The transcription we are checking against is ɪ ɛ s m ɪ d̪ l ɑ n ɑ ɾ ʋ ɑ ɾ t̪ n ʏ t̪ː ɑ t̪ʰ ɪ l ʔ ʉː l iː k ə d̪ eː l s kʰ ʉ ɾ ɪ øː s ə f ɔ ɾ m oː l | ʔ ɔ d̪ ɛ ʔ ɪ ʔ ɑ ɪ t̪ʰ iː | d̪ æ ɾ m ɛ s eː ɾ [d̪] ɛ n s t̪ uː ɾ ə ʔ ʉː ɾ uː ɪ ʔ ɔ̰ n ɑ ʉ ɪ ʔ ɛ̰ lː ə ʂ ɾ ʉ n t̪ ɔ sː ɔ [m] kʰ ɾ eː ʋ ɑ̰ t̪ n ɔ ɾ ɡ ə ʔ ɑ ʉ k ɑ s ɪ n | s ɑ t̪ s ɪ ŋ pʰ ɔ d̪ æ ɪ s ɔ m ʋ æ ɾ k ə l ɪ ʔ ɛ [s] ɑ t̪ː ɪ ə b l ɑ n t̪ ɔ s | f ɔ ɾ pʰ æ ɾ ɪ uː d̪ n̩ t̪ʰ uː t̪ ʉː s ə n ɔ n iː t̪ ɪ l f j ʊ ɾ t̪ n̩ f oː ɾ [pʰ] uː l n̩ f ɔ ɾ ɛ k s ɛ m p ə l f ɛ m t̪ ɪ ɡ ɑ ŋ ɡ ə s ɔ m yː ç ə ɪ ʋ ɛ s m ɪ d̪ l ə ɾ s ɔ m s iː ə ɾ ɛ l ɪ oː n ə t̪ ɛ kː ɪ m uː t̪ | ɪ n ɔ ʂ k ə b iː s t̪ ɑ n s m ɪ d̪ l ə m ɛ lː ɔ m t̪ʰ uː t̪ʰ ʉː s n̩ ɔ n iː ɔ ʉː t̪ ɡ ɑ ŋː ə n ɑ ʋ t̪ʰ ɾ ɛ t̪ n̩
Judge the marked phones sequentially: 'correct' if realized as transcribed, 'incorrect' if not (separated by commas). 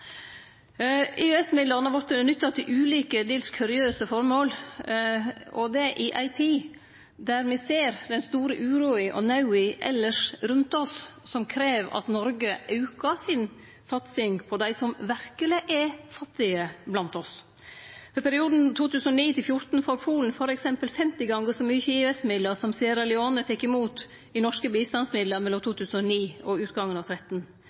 correct, correct, incorrect, correct